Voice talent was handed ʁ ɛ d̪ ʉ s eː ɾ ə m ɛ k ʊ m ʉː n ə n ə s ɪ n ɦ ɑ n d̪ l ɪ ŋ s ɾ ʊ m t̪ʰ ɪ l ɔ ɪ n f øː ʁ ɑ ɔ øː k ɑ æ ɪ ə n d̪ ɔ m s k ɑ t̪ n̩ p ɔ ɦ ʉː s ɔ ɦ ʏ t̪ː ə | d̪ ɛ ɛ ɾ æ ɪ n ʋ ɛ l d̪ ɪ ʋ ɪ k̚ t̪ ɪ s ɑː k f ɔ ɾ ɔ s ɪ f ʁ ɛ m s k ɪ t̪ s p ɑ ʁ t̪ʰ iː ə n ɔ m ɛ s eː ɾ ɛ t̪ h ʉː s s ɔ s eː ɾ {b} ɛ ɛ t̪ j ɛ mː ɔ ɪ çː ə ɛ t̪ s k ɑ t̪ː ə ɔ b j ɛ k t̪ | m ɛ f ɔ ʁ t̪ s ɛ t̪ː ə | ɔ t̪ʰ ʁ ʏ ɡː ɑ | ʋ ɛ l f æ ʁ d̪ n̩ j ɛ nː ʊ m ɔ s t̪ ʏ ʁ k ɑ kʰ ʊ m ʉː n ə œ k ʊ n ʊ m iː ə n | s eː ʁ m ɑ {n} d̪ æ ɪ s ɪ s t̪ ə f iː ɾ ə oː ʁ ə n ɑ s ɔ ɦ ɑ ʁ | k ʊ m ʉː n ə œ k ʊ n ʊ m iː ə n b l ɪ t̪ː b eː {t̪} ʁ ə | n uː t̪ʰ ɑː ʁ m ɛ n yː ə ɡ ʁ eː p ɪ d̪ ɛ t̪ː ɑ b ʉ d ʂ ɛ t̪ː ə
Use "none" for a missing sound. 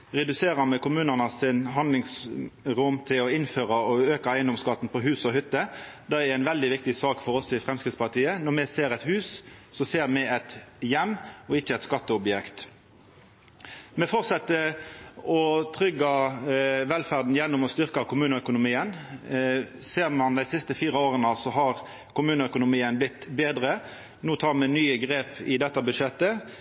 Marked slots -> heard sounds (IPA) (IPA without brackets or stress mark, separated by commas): m, n, d̪